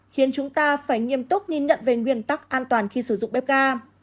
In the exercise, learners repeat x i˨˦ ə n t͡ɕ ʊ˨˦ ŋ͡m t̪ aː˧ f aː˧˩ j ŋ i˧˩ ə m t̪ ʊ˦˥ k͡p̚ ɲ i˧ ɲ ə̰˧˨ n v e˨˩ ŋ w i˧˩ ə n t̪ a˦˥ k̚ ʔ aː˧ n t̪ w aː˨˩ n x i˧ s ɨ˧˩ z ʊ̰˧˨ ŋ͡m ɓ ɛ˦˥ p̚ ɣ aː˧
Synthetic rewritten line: x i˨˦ ə n t͡ɕ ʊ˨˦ ŋ͡m t̪ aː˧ f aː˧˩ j ŋ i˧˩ ə m t̪ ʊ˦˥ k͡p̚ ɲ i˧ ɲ ə̰˧˨ n v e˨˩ ŋ w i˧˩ ə n t̪ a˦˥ k̚ ʔ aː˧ n t̪ w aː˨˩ n x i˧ s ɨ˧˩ z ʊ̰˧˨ ŋ͡m ɓ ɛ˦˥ p̚ ɣ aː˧